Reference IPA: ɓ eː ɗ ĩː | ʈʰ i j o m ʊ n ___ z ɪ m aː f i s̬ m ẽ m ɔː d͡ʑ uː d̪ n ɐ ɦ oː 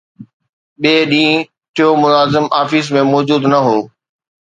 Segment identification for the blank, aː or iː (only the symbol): aː